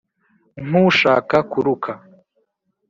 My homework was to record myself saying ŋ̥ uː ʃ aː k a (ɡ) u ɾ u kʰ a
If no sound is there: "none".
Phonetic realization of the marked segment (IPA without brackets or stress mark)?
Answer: k